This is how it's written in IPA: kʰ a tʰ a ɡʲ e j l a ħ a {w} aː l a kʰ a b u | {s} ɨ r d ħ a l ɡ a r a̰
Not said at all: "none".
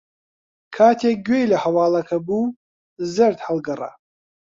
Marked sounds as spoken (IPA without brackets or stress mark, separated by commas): w, z